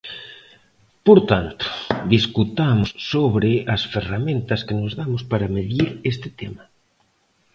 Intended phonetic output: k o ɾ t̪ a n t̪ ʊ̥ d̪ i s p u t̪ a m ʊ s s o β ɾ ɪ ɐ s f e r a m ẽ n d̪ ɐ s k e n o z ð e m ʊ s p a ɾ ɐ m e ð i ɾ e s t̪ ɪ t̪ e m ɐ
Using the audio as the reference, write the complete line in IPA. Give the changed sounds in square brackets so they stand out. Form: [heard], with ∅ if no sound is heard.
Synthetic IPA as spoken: [p] o ɾ t̪ a n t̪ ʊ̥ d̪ i s [k] u t̪ a m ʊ s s o β ɾ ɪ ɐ s f e r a m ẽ n [t̪] ɐ s k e n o z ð [a] m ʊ s p a ɾ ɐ m e ð i ɾ e s t̪ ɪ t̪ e m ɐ